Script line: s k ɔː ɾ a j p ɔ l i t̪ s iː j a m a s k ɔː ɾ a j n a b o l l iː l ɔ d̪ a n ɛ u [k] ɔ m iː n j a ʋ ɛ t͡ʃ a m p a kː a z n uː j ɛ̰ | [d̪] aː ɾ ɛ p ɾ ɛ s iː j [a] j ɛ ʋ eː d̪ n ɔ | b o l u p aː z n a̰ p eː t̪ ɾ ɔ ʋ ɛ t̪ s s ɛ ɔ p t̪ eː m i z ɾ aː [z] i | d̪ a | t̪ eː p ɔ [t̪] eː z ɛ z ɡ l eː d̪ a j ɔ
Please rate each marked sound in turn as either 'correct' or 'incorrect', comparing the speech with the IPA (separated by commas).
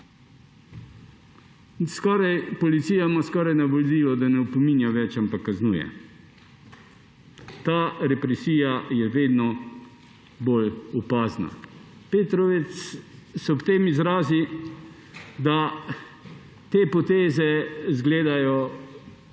incorrect, incorrect, correct, correct, correct